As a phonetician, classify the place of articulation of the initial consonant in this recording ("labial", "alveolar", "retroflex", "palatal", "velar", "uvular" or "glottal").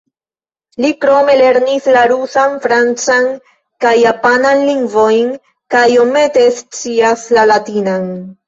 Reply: alveolar